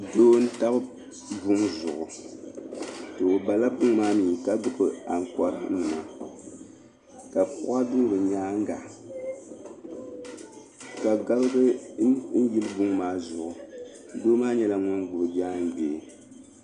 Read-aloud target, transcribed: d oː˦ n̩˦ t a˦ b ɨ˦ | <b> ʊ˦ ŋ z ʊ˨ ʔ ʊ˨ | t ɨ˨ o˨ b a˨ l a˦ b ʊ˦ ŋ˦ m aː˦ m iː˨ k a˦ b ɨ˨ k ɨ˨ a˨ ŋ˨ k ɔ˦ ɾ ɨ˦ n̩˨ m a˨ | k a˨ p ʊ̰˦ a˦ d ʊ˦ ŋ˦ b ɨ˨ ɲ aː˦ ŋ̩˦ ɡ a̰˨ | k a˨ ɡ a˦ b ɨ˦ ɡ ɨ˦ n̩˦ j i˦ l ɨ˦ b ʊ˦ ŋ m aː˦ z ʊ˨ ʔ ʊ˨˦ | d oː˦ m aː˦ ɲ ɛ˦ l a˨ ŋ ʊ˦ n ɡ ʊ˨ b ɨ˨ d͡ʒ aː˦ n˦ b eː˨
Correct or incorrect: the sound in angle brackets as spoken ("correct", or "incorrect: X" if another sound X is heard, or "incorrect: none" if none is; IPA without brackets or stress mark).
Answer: correct